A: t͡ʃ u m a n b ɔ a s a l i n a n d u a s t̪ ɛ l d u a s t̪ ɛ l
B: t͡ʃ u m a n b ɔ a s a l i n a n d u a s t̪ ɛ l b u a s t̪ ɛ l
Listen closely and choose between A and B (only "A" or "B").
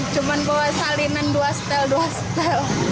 A